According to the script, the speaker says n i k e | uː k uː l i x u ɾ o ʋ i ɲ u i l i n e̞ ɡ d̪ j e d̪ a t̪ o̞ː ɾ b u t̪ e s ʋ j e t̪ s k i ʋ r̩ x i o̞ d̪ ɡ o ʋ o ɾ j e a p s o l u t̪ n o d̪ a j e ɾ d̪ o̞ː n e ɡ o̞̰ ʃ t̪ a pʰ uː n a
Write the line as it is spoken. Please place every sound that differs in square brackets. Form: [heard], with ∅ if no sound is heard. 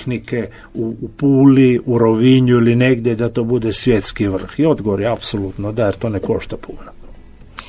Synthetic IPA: n i k e | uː [p] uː l i [∅] u ɾ o ʋ i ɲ u i l i n e̞ ɡ d̪ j e d̪ a t̪ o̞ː [∅] b u [d̪] e s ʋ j e t̪ s k i ʋ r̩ x i o̞ d̪ ɡ o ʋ o ɾ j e a p s o l u t̪ n o d̪ a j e ɾ [t̪] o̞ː n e [k] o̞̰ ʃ t̪ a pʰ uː n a